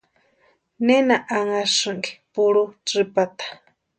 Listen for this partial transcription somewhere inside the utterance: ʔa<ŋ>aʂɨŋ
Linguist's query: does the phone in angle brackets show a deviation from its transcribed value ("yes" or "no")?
no